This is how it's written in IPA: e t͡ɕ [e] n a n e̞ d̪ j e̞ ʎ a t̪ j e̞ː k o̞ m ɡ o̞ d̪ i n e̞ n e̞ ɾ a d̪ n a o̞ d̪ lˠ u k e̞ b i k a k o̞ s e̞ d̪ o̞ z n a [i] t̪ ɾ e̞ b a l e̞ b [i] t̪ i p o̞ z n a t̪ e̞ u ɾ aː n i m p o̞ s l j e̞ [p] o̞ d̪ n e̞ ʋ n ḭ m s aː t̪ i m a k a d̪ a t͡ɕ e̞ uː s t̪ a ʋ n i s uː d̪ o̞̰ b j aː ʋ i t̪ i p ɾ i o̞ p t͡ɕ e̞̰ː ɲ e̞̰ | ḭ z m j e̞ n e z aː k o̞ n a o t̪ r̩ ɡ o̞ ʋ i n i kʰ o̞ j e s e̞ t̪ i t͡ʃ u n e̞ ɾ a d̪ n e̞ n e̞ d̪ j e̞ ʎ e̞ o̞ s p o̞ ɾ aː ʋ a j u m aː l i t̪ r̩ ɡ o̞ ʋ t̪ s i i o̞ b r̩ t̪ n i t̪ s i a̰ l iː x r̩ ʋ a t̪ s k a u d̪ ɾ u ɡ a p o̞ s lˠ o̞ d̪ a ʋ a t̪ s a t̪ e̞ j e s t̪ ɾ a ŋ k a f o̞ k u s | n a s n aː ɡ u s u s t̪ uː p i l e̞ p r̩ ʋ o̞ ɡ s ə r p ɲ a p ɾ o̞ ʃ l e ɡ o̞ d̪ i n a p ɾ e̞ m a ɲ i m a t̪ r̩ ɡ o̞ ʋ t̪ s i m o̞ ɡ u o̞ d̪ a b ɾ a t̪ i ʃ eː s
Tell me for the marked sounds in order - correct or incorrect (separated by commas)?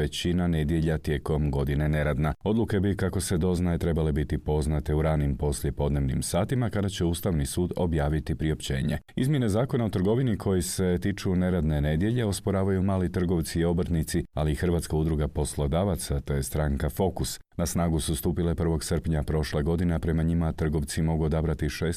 incorrect, incorrect, correct, correct